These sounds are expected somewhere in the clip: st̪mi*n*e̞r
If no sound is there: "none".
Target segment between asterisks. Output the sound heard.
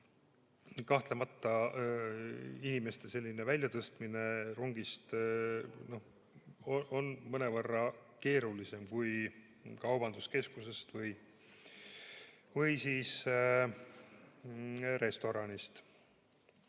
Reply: n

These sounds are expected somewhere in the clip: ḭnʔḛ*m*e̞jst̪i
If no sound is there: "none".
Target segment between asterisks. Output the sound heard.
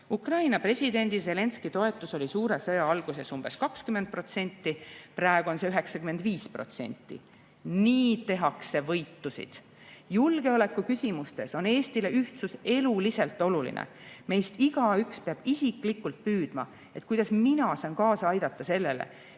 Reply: m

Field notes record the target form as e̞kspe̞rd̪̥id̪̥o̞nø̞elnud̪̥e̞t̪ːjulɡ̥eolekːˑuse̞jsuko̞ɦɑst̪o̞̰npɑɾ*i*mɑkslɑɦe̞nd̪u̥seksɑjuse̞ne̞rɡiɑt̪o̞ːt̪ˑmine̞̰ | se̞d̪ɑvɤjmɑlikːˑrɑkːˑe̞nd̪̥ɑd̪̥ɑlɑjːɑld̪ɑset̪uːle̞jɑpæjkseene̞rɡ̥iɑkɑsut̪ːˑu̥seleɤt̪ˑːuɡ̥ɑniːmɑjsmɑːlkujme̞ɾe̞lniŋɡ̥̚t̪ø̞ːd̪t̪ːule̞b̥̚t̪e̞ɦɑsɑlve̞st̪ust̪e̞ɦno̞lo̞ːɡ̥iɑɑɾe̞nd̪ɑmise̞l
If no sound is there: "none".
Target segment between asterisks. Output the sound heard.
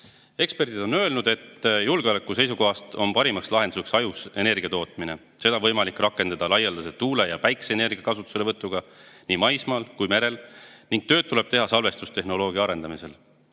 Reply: i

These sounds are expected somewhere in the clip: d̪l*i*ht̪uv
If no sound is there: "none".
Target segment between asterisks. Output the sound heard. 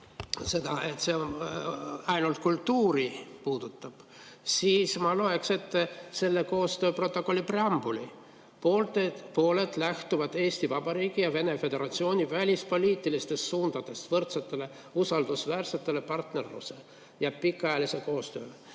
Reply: æ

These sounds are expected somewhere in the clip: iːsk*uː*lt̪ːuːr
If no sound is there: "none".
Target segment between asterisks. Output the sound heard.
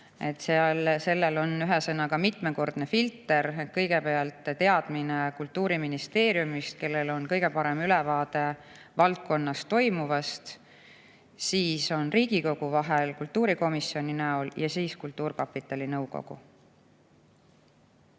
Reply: u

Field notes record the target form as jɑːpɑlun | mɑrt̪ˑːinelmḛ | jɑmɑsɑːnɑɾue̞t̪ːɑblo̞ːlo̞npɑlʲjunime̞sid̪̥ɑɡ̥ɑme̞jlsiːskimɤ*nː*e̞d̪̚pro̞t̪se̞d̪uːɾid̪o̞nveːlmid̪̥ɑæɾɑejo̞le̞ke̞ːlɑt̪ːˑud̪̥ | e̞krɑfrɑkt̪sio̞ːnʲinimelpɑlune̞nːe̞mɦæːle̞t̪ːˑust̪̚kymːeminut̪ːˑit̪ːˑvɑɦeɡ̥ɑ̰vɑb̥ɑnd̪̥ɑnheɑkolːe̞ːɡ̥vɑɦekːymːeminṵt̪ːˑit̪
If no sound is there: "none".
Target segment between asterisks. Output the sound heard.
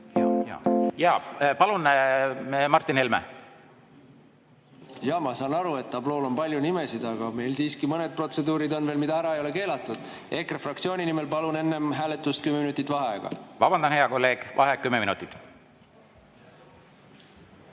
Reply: n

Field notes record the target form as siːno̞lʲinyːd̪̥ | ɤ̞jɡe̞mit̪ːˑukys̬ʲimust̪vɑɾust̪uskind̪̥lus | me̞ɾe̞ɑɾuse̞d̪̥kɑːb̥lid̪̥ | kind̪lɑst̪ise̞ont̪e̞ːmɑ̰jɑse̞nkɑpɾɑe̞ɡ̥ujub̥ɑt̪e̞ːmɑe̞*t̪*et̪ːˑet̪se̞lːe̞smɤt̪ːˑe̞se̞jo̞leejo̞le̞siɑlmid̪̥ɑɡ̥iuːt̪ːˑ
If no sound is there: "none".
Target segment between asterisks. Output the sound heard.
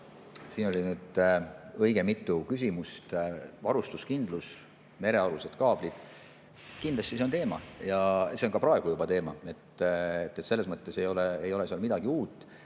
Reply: t̪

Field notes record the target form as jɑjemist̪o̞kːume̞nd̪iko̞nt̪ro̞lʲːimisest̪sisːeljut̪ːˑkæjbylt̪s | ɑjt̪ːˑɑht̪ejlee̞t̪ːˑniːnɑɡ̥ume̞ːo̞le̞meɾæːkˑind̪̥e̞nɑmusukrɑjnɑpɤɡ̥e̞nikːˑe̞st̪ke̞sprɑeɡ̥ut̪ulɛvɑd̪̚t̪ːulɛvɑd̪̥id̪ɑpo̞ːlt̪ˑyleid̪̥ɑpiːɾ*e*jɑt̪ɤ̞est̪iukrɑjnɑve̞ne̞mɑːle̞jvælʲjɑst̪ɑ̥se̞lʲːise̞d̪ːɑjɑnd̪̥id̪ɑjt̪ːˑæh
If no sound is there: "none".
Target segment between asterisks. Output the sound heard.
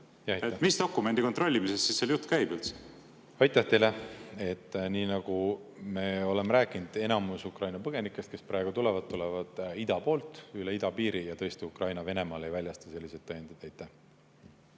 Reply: i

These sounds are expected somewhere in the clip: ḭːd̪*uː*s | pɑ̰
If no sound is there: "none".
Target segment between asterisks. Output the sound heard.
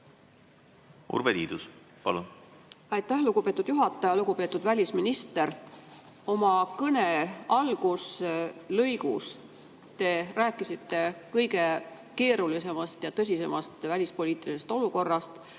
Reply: u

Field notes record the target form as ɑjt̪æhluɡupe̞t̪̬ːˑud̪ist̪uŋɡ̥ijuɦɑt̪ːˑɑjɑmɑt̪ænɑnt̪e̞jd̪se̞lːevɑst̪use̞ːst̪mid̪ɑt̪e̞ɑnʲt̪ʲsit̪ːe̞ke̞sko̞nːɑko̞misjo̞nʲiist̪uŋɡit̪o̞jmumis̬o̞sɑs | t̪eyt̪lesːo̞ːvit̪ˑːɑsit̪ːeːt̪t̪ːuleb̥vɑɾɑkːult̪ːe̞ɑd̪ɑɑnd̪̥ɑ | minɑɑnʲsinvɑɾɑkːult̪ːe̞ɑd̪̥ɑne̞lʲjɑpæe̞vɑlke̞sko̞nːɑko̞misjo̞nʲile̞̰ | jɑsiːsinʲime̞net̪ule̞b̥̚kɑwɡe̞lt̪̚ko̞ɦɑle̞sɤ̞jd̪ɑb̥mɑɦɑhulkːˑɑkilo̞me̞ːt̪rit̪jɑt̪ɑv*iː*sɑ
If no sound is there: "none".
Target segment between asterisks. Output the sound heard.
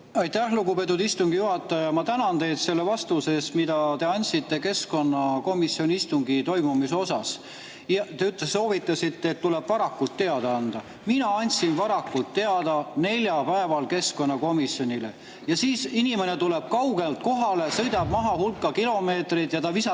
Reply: i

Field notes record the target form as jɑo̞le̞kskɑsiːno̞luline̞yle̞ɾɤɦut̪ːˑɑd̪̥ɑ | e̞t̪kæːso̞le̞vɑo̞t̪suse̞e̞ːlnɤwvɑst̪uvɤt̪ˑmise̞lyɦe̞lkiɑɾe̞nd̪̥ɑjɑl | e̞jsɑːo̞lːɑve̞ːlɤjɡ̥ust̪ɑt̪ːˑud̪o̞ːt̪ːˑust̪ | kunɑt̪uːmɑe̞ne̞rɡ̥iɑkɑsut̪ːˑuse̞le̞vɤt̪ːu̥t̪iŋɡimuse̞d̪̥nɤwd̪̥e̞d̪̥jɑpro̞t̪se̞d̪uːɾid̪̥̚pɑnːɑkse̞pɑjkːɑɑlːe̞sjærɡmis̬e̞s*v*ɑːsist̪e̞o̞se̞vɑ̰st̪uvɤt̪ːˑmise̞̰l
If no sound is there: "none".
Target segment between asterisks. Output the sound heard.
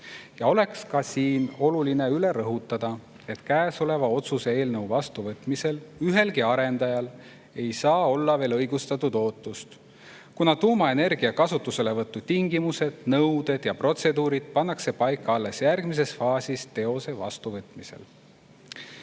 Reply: f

